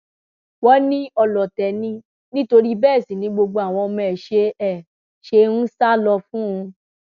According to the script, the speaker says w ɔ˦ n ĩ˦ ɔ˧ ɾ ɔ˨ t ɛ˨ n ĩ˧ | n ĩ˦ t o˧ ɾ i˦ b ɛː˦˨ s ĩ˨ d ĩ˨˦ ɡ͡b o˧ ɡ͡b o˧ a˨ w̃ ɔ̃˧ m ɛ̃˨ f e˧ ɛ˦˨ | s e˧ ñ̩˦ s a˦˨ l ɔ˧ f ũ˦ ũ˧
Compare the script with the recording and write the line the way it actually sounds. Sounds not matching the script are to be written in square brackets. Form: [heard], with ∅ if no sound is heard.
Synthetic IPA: w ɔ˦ n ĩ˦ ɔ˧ [l] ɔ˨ t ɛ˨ n ĩ˧ | n ĩ˦ t o˧ ɾ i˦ b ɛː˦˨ s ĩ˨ [n] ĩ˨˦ ɡ͡b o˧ ɡ͡b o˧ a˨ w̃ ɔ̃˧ m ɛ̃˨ [ʃ] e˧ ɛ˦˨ | [ʃ] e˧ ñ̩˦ s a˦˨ l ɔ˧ f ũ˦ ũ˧

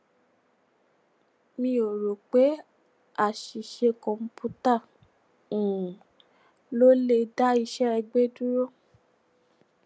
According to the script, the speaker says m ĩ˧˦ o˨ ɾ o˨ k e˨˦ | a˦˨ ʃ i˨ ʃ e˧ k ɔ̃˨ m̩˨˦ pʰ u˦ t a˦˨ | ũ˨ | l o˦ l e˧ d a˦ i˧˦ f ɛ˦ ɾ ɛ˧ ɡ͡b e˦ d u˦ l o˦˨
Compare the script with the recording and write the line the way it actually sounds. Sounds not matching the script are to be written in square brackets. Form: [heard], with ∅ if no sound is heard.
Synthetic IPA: m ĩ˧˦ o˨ ɾ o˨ [k͡p] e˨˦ | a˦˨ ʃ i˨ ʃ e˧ k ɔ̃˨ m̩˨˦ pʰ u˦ t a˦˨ | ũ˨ | l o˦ l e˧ d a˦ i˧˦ [ʃ] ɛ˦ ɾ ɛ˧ ɡ͡b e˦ d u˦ [ɾ] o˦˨

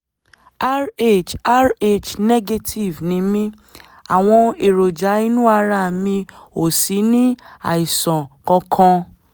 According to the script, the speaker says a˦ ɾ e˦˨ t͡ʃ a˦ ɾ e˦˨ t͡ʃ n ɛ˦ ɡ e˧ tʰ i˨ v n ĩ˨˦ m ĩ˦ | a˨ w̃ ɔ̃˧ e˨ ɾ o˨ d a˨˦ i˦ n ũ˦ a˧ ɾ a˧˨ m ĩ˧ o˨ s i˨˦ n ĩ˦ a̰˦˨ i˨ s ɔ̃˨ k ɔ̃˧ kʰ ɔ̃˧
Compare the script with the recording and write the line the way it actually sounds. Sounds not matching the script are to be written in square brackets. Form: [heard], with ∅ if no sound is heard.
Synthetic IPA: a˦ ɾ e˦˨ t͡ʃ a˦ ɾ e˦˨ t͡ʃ n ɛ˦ ɡ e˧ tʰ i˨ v n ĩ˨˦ m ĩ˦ | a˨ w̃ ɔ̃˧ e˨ ɾ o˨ [d͡ʒ] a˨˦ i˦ n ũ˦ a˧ ɾ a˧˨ m ĩ˧ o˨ s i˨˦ n ĩ˦ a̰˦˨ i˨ s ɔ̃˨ k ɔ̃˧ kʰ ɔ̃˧

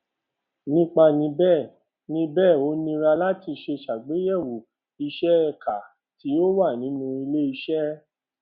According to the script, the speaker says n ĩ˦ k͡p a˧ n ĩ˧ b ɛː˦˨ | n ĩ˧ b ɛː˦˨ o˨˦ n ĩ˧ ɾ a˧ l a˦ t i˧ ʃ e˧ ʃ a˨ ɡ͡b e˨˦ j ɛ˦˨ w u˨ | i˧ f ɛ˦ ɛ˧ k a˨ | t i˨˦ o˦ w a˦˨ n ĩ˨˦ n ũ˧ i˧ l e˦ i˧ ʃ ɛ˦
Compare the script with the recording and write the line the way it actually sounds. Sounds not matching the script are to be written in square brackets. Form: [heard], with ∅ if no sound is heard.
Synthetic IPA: n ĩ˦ k͡p a˧ n ĩ˧ b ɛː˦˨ | n ĩ˧ b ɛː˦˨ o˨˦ n ĩ˧ ɾ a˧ l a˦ t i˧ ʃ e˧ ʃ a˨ ɡ͡b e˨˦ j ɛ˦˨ w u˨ | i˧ [ʃ] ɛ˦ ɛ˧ k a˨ | t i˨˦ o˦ w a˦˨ n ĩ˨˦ n ũ˧ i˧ l e˦ i˧ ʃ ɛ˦

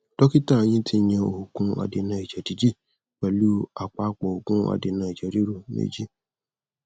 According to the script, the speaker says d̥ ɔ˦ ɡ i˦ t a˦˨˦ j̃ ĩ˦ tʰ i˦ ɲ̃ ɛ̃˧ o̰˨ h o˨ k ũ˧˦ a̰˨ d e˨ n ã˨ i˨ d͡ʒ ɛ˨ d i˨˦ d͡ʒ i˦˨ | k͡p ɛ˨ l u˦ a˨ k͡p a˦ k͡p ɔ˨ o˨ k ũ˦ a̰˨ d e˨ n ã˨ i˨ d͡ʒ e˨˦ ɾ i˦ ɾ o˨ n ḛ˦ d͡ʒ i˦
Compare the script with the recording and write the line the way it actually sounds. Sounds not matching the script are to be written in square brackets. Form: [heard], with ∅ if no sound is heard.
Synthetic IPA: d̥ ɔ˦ [k] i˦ t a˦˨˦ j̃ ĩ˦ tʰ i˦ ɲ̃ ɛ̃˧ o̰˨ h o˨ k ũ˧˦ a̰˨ d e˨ n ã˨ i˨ d͡ʒ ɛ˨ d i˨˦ d͡ʒ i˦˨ | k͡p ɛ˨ l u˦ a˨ k͡p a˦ k͡p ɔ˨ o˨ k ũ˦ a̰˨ d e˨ n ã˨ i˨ d͡ʒ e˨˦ ɾ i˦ ɾ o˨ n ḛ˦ d͡ʒ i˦

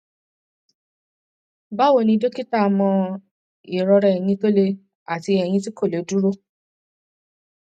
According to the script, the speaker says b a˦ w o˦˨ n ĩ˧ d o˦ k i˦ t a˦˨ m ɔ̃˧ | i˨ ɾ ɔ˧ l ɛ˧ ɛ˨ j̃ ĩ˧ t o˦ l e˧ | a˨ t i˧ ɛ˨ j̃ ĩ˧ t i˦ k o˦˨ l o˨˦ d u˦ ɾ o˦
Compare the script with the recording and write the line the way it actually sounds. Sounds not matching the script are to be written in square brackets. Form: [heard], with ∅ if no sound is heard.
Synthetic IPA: b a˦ w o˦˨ n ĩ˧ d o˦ k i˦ t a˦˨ m ɔ̃˧ | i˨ ɾ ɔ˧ [ɾ] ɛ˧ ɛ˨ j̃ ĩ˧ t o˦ l e˧ | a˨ t i˧ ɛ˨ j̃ ĩ˧ t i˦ k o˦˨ l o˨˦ d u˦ ɾ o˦

